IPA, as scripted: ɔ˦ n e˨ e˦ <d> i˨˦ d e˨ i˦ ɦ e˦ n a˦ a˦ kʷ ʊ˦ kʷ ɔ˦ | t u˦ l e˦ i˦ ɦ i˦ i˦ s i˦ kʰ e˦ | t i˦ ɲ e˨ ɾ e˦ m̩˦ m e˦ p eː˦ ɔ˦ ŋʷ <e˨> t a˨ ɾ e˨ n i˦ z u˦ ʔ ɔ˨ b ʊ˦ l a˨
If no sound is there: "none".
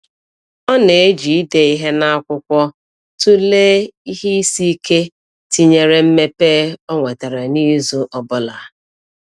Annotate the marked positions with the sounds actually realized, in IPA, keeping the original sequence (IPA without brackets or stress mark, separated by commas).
d͡ʒ, e˨